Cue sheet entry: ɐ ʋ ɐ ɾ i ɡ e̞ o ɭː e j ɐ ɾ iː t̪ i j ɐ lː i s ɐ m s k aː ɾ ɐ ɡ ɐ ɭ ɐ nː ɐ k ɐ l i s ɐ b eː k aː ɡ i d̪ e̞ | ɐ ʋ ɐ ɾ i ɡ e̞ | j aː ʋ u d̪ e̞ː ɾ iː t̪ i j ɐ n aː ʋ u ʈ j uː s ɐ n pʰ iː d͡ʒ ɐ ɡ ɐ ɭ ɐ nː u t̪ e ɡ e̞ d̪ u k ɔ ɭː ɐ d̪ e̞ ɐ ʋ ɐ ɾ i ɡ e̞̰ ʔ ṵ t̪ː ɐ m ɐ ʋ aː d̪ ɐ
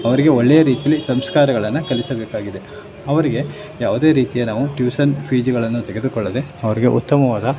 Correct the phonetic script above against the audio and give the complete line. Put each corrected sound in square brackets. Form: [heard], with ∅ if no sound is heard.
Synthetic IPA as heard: ɐ ʋ ɐ ɾ i ɡ e̞ o ɭː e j ɐ ɾ iː t̪ i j ɐ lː i s ɐ m s k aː ɾ ɐ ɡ ɐ ɭ ɐ nː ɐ k ɐ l i s ɐ b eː k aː ɡ i d̪ e̞ | ɐ ʋ ɐ ɾ i ɡ e̞ | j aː ʋ u d̪ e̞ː ɾ iː t̪ i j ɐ n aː ʋ u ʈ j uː s ɐ n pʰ iː d͡ʒ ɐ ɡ ɐ ɭ ɐ nː u t̪ e ɡ e̞ d̪ u k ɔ ɭː ɐ d̪ e̞ ɐ ʋ ɐ ɾ i ɡ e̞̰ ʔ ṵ t̪ː ɐ m ɐ ʋ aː d̪ ɐ

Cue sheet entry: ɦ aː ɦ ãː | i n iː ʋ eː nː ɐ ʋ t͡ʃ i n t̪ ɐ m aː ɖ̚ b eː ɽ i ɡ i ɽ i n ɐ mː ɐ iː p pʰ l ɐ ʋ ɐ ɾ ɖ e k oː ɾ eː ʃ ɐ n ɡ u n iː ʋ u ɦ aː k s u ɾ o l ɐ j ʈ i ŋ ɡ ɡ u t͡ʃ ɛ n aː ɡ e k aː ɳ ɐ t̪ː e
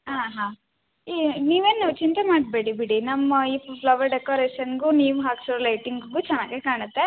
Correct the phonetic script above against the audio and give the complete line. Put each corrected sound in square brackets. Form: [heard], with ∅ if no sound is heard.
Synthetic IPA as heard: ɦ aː ɦ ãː | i n iː ʋ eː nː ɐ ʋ t͡ʃ i n t̪ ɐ m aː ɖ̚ b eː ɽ i [b] i ɽ i n ɐ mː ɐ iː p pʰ l ɐ ʋ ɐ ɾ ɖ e k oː ɾ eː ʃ ɐ n ɡ u n iː ʋ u ɦ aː k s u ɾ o l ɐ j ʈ i ŋ ɡ ɡ u t͡ʃ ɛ [nː] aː ɡ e k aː ɳ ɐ t̪ː e

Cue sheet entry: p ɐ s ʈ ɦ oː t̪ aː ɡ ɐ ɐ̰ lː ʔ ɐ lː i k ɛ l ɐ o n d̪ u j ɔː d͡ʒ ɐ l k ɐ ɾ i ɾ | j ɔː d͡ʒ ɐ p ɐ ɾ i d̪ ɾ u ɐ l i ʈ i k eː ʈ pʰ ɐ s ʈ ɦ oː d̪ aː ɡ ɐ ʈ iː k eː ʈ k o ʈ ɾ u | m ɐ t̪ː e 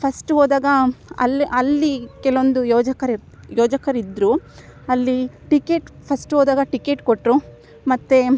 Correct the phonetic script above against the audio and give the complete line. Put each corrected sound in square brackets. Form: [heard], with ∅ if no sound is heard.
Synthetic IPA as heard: [pʰ] ɐ s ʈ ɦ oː [d̪] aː ɡ ɐ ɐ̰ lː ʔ ɐ lː i k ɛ l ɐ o n d̪ u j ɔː d͡ʒ ɐ [∅] k ɐ ɾ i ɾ | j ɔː d͡ʒ ɐ [k] ɐ ɾ i d̪ ɾ u ɐ [lː] i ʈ i k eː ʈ pʰ ɐ s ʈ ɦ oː d̪ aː ɡ ɐ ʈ [i] k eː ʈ k o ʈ ɾ u | m ɐ t̪ː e

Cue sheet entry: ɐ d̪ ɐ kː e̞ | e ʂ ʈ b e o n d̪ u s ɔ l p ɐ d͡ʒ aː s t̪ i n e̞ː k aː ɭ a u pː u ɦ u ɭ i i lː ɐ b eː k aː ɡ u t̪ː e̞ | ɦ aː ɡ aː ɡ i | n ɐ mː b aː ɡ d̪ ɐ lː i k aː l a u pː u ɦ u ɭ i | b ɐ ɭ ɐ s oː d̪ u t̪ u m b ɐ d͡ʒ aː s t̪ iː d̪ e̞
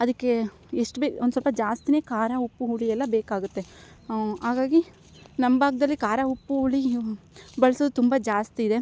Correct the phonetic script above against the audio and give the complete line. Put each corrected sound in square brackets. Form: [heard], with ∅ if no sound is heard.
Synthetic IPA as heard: ɐ d̪ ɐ kː e̞ | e ʂ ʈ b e o n d̪ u s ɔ l p ɐ d͡ʒ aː s t̪ i n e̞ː k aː [ɾ] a u pː u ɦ u ɭ i [ɛ] lː ɐ b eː k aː ɡ u t̪ː e̞ | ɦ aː ɡ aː ɡ i | n ɐ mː b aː ɡ d̪ ɐ lː i k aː [ɾ] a u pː u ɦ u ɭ i | b ɐ ɭ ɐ s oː d̪ u t̪ u m b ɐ d͡ʒ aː s t̪ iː d̪ e̞

